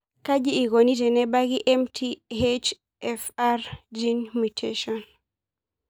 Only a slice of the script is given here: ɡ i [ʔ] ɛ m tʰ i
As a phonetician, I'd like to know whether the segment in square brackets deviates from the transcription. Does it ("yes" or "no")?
no